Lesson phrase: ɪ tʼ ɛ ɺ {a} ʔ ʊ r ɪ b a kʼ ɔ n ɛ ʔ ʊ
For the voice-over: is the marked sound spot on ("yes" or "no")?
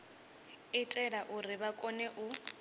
yes